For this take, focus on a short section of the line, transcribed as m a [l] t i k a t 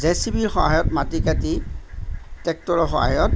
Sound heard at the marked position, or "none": none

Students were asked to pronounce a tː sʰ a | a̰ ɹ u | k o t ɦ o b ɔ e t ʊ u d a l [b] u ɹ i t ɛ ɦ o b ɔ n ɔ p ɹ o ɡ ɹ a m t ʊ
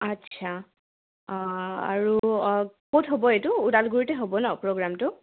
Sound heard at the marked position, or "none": ɡ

